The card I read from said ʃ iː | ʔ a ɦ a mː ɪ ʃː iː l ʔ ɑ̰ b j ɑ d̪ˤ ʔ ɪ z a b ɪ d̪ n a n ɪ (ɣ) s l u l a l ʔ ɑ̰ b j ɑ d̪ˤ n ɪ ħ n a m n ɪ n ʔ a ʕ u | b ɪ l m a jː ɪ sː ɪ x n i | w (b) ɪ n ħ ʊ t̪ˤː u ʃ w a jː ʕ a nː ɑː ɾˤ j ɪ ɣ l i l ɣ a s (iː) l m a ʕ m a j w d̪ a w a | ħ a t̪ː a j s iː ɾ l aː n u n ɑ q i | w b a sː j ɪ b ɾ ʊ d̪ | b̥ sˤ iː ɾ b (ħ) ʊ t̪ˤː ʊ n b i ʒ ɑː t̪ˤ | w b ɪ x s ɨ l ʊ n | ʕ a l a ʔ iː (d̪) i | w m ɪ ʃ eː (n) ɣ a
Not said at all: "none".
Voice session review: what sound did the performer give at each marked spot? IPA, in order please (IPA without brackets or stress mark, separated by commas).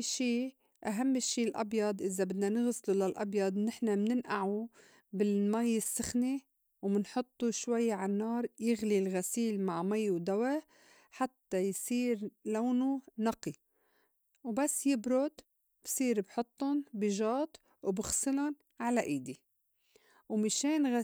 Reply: ɣ, m, iː, ħ, d̪, n